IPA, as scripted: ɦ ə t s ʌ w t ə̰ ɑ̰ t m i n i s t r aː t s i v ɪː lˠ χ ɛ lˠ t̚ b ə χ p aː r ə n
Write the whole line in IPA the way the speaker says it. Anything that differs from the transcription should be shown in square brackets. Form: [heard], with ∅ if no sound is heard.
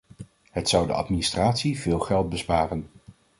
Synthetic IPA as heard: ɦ ə t s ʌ w [d] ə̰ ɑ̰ t m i n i s t r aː t s i v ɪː lˠ χ ɛ lˠ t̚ b ə [s] p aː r ə n

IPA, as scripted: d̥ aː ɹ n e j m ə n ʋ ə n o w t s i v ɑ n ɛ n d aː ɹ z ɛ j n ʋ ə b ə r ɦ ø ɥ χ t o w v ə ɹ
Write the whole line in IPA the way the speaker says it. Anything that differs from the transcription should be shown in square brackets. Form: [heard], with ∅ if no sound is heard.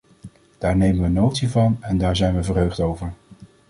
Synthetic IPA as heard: d̥ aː ɹ n e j m ə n ʋ ə n o w t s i v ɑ n ɛ n d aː ɹ z ɛ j n ʋ ə [v] ə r ɦ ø ɥ χ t o w v ə ɹ

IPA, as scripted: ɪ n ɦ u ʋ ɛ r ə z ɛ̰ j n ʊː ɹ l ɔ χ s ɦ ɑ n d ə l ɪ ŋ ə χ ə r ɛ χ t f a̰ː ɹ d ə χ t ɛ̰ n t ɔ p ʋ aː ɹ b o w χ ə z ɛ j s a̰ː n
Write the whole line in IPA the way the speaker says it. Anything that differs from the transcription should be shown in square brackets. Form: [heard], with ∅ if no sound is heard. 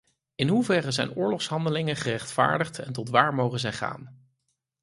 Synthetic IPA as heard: ɪ n ɦ u [v] ɛ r ə z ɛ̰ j n ʊː ɹ l ɔ χ s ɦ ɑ n d ə l ɪ ŋ ə χ ə r ɛ χ t f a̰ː ɹ d ə χ t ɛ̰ n t ɔ [t] ʋ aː ɹ [m] o w χ ə z ɛ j [χ] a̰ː n

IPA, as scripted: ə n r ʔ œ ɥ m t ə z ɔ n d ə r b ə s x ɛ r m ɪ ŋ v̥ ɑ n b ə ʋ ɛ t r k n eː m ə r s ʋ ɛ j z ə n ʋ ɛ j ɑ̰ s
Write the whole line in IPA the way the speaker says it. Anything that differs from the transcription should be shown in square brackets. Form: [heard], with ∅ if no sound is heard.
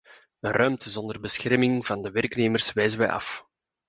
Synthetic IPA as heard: ə n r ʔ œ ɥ m t ə z ɔ n d ə r b ə s x ɛ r m ɪ ŋ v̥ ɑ n [d] ə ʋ ɛ [∅] r k n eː m ə r s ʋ ɛ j z ə n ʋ ɛ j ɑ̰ [f]

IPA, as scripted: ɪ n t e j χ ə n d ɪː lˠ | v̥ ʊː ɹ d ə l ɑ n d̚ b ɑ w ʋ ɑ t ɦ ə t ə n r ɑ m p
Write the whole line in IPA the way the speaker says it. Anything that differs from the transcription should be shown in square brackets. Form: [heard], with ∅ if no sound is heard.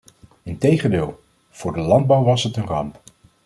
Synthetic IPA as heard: ɪ n t e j χ ə n d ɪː lˠ | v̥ ʊː ɹ d ə l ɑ n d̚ b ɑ w ʋ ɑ [s] ɦ ə t ə n r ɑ m p

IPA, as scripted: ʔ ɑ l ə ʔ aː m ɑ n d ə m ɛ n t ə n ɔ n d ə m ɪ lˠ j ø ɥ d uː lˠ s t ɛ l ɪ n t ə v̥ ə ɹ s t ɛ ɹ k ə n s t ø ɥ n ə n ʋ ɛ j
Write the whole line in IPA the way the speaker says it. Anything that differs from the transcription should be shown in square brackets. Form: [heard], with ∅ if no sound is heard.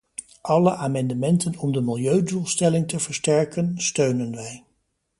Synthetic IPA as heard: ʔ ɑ l ə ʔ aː m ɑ n d ə m ɛ n t ə n ɔ [m] d ə m ɪ lˠ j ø ɥ d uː lˠ s t ɛ l ɪ [ŋ] t ə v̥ ə ɹ s t ɛ ɹ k ə n s t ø ɥ n ə n ʋ ɛ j

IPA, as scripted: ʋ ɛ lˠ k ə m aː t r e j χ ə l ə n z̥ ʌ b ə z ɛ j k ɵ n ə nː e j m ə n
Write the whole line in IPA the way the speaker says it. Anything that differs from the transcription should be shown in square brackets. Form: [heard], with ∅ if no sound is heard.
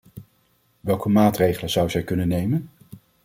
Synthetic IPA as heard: ʋ ɛ lˠ k ə m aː t r e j χ ə l ə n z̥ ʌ [w] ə z ɛ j k ɵ n ə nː e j m ə n

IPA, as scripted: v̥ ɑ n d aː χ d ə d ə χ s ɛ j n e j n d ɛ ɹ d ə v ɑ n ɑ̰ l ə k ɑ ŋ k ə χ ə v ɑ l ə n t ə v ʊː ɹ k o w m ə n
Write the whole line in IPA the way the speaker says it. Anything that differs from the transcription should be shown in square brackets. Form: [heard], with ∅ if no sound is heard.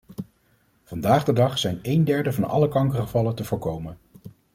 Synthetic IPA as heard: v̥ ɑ n d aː χ d ə d [ɑ] χ s ɛ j n e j n d ɛ ɹ d ə v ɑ n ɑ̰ l ə k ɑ ŋ k ə χ ə v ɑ l ə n t ə v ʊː ɹ k o w m ə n

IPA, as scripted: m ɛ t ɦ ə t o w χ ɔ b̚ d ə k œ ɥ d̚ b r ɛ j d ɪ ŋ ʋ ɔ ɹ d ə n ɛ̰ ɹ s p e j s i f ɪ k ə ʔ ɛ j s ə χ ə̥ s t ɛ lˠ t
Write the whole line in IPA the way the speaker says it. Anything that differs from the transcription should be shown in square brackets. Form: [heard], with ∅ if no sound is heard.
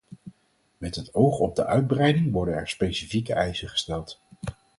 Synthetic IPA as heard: m ɛ t ɦ ə t o w χ ɔ b̚ d ə [ʔ] œ ɥ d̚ b r ɛ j d ɪ ŋ ʋ ɔ ɹ d ə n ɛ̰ ɹ s p e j s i f [i] k ə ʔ ɛ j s ə χ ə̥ s t ɛ lˠ t

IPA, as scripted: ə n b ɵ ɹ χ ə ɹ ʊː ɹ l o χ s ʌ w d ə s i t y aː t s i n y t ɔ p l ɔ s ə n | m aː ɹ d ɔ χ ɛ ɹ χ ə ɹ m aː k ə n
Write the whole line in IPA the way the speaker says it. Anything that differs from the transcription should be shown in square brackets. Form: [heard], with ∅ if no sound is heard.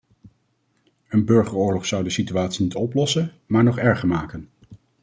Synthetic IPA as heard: ə n b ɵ ɹ χ ə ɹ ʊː ɹ l [ɔ] χ s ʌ w d ə s i t y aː t s i n [i] t ɔ p l ɔ s ə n | m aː ɹ [n] ɔ χ ɛ ɹ χ ə ɹ m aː k ə n

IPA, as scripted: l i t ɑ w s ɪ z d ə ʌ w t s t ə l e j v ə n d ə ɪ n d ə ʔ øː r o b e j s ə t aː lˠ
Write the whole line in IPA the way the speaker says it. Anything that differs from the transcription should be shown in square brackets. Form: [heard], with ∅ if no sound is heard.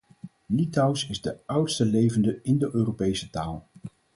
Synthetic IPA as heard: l i t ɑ w s ɪ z d ə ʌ w t s t ə l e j v ə n d ə ɪ n d ə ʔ øː r o [p] e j s ə t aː lˠ

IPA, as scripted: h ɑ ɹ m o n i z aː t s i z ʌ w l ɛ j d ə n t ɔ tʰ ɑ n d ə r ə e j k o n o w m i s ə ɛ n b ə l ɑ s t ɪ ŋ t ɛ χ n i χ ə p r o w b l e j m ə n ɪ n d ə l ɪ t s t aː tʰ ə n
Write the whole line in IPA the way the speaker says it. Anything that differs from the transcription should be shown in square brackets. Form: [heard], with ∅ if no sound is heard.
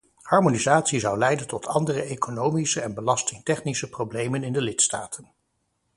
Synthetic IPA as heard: h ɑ ɹ m o n i z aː t s i z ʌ w l ɛ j d ə n t ɔ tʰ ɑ n d ə r ə e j k o n o w m i s ə ɛ n b ə l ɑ s t ɪ ŋ t ɛ χ n i [s] ə p r o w b l e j m ə n ɪ n d ə l ɪ t s t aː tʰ ə n

